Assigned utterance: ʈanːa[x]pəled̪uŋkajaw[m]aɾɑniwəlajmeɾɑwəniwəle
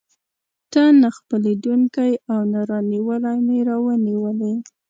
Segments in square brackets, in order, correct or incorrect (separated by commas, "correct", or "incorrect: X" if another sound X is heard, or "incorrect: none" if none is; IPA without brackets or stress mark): correct, incorrect: n